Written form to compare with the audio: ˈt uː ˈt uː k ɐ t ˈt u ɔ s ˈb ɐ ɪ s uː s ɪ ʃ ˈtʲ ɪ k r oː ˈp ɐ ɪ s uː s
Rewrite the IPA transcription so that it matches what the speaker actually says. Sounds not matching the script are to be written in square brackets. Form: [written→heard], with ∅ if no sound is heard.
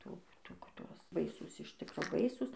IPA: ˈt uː ˈt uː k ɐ t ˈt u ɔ s ˈb ɐ ɪ s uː s ɪ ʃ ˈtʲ ɪ k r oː [ˈp→ˈb] ɐ ɪ s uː s